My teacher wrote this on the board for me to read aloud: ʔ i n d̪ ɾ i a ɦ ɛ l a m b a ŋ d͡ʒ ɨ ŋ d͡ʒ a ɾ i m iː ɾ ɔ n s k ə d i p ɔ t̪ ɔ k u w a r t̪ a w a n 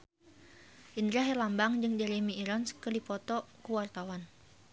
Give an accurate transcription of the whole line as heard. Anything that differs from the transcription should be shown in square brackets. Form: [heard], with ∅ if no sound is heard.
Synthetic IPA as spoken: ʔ i n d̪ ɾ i a ɦ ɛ l a m b a ŋ d͡ʒ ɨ ŋ d͡ʒ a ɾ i m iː ɾ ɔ n s k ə d i p ɔ t̪ ɔ k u w a r t̪ a w a n